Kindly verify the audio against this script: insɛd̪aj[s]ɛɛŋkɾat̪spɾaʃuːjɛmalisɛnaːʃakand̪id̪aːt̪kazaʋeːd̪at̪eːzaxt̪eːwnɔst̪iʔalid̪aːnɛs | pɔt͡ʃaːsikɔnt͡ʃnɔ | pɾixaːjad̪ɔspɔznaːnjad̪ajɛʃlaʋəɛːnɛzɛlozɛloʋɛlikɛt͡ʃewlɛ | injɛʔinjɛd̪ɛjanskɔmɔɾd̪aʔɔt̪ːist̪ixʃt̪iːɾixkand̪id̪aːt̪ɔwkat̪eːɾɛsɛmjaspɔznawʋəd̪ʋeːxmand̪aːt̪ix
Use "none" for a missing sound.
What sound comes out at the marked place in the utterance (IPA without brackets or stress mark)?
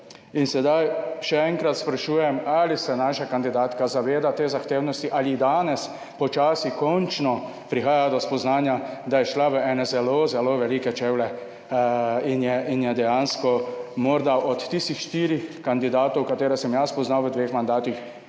ʃ